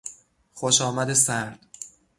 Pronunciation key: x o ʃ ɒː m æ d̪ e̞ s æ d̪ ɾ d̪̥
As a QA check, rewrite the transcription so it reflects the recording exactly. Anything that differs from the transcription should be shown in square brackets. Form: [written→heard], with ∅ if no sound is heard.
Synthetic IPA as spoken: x o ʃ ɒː m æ d̪ e̞ s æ [d̪→∅] ɾ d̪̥